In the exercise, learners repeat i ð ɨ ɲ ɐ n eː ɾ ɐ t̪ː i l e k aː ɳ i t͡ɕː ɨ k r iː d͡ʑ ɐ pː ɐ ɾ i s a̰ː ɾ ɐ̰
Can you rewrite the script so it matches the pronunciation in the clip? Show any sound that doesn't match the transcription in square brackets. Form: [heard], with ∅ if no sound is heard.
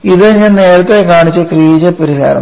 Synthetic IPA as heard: i ð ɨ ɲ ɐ n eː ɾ ɐ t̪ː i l e k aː ɳ i t͡ɕː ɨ k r iː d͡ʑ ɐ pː ɐ ɾ i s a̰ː ɾ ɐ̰